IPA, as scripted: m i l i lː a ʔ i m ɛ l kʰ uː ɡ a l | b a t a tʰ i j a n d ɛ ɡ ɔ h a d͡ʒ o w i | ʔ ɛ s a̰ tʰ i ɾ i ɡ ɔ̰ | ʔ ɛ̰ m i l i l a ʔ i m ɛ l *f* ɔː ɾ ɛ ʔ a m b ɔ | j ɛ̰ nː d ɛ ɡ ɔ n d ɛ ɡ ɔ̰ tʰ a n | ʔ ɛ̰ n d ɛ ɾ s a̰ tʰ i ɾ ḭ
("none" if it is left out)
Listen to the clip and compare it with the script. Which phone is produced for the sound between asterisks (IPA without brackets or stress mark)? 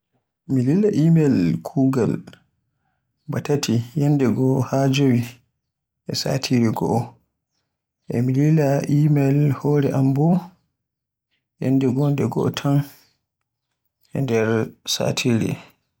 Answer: h